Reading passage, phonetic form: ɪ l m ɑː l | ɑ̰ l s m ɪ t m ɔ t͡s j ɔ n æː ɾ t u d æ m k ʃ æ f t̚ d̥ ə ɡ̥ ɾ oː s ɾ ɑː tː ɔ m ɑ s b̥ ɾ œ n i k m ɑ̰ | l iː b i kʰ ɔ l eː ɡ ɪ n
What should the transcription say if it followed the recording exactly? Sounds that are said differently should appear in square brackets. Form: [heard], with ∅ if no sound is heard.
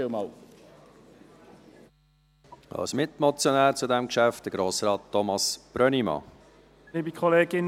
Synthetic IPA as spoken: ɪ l m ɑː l | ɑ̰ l s m ɪ t m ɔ t͡s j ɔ n æː ɾ [t͡s] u d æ m k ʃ æ f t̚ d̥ ə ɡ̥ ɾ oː s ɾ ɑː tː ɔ m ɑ s b̥ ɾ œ n i [∅] m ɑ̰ | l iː b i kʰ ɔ l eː ɡ ɪ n